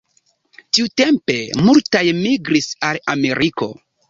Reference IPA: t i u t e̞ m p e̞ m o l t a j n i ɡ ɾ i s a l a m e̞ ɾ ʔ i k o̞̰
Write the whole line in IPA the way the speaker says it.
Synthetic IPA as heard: t i u t e̞ m p e̞ m u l t a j m i ɡ ɾ i s a l a m e̞ ɾ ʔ i k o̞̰